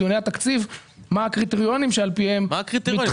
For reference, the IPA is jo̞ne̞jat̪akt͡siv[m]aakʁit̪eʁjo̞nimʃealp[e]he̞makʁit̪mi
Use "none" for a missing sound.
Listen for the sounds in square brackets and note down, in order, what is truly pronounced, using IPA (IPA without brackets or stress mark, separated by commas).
m, i